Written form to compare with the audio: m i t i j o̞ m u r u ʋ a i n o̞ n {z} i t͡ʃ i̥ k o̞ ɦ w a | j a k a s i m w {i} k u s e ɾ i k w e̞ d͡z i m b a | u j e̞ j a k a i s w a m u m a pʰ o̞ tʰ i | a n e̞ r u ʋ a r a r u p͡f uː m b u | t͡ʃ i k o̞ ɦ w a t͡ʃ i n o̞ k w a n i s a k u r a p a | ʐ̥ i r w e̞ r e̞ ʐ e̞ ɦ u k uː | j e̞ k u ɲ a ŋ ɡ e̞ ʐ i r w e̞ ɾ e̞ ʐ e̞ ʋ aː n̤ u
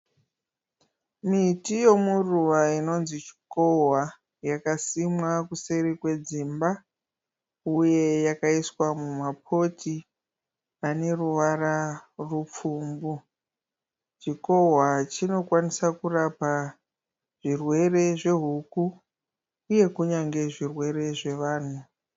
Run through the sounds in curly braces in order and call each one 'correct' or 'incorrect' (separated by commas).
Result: correct, incorrect